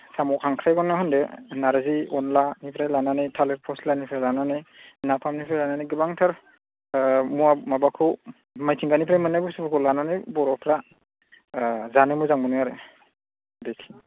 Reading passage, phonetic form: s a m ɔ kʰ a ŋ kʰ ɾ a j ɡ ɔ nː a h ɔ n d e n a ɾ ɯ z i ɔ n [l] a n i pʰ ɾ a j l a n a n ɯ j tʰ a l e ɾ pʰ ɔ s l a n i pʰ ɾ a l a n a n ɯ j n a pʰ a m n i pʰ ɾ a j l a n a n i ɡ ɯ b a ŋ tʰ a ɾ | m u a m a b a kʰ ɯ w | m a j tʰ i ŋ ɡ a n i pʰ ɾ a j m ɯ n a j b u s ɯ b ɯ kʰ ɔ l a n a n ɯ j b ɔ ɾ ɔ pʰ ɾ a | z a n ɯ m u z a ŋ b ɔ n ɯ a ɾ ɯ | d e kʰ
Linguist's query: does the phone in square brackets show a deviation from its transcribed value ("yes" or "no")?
no